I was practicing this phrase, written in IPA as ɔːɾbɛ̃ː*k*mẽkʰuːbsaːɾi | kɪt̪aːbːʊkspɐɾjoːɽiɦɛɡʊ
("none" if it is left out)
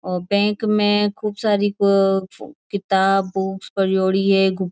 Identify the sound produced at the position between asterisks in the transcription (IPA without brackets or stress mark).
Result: k